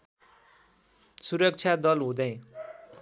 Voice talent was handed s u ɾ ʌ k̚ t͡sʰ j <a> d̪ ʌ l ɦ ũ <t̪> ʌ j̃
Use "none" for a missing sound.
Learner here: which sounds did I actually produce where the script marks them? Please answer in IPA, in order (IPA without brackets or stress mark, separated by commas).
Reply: a, d̪